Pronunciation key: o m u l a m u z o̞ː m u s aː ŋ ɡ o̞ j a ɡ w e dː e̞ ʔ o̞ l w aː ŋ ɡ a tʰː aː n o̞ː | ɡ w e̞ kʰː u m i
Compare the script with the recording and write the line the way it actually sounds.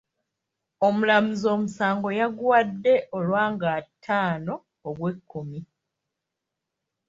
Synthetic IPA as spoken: o m u l a m u z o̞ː m u s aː ŋ ɡ o̞ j a ɡ w a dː e̞ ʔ o̞ l w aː ŋ ɡ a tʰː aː n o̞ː | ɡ w e̞ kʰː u m i

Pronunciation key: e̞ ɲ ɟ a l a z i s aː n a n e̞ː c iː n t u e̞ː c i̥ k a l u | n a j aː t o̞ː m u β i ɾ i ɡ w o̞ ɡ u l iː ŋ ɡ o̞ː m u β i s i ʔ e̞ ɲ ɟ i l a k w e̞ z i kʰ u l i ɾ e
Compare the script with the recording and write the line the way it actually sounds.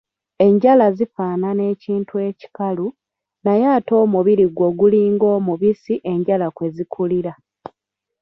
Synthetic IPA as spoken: e̞ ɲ ɟ a l a z i f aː n a n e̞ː c iː n t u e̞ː c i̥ k a l u | n a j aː t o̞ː m u β i ɾ i ɡ w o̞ ɡ u l iː ŋ ɡ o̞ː m u β i s i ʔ e̞ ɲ ɟ a l a k w e̞ z i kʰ u l i ɾ a

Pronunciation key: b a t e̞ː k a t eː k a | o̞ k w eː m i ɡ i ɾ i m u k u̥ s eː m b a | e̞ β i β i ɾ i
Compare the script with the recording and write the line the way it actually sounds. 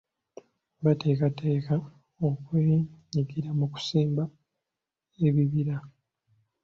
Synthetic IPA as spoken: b a t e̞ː k a t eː k a | o̞ k w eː ɲ i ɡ i ɾ a m u k u̥ s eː m b a | e̞ β i β i ɾ a

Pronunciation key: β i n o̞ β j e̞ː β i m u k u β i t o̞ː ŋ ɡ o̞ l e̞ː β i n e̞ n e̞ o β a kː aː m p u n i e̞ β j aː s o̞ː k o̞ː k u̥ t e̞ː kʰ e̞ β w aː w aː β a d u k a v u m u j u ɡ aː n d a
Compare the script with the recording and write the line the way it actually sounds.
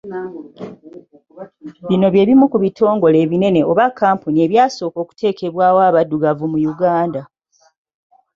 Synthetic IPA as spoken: β i n o̞ β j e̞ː β i m u k u β i t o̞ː ŋ ɡ o̞ l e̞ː β i n e̞ n e̞ o β a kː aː m p u n i e̞ β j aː s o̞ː k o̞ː k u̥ t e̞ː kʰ e̞ β w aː w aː β a d u ɡ a v u m u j u ɡ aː n d a

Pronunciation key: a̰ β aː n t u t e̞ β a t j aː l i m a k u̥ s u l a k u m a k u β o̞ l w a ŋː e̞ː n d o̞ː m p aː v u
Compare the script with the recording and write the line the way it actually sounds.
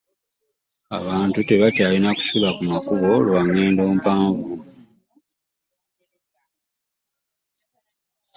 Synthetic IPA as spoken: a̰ β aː n t u t e̞ β a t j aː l i n a k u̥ s u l a k u m a k u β o̞ l w a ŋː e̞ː n d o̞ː m p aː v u

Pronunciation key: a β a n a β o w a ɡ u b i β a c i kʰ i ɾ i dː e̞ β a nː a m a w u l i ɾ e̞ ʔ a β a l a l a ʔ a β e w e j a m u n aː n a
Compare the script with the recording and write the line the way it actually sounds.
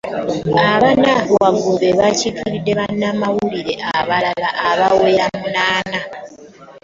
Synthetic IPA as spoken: a β a n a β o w a ɡ u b e β a c i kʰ i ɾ i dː e̞ β a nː a m a w u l i ɾ e̞ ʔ a β a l a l a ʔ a β a w e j a m u n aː n a

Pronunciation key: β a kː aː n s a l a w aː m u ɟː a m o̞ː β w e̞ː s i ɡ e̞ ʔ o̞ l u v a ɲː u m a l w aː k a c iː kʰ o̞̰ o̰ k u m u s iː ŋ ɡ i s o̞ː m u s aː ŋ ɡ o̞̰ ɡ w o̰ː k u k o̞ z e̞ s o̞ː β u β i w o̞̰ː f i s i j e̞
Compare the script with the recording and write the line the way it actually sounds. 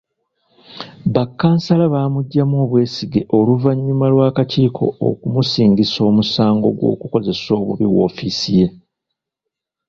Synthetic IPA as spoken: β a kː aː n s a l a β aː m u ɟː a m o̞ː β w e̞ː s i ɡ e̞ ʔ o̞ l u v a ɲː u m a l w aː k a c iː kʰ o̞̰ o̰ k u m u s iː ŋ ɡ i s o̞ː m u s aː ŋ ɡ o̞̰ ɡ w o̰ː k u k o̞ z e̞ s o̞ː β u β i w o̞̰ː f i s i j e̞

